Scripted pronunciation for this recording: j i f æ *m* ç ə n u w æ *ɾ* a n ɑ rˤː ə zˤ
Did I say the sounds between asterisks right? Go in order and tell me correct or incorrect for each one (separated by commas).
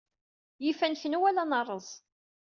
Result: incorrect, incorrect